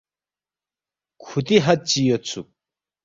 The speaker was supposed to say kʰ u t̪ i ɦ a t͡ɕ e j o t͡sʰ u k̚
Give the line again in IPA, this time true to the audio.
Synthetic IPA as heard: kʰ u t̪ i ɦ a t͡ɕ i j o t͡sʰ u k̚